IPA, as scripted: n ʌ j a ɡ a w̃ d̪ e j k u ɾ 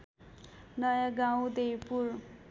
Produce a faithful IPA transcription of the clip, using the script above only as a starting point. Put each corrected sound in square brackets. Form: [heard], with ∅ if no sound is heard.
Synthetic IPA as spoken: n ʌ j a ɡ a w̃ d̪ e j [p] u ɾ